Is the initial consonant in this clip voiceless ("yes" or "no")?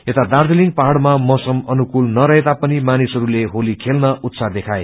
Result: yes